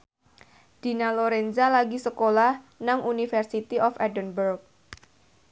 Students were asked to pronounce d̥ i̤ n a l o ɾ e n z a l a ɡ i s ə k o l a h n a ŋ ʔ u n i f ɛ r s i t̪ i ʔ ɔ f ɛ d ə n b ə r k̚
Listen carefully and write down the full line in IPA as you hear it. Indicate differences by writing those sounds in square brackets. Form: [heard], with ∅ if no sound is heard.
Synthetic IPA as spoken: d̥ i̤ n a l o ɾ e n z a l a ɡ i s ə k o l a h n a ŋ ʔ u n i f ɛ r s i t̪ i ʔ ɔ f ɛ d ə n b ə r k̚